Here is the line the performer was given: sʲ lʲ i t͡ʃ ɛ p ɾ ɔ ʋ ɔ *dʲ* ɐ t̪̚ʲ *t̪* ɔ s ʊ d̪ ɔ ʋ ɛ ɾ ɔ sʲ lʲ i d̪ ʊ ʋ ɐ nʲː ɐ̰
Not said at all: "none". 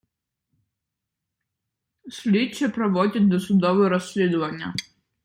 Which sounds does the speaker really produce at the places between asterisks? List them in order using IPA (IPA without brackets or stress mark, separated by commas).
dʲ, d̪